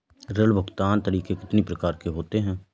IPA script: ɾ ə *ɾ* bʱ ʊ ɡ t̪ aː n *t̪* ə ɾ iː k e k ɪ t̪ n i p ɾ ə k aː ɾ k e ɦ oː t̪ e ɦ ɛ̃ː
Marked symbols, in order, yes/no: no, yes

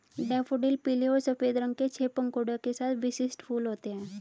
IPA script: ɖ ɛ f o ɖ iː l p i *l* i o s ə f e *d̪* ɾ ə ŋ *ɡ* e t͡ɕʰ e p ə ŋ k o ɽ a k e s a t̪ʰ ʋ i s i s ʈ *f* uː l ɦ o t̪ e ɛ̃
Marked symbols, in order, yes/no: yes, yes, no, yes

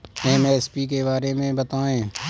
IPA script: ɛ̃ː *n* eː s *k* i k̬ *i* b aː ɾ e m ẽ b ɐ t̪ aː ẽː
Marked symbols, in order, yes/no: no, no, no

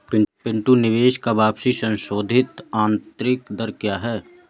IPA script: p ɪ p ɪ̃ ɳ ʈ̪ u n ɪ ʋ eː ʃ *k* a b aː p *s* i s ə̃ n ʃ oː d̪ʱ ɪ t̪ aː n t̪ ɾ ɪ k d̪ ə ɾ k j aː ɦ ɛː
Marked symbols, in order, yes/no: yes, yes

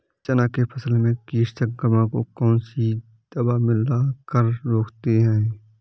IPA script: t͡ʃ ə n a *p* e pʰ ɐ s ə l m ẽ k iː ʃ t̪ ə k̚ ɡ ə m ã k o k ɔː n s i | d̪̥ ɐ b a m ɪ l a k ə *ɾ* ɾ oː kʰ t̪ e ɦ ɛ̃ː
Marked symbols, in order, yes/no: no, yes

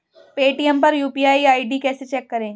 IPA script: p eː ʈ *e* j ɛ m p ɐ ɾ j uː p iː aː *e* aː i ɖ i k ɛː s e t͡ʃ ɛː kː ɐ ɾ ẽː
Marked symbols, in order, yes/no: no, no

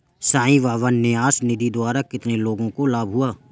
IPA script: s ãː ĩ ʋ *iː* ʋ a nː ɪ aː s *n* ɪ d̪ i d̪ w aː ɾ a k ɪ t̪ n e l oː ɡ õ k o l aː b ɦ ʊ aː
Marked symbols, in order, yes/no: no, yes

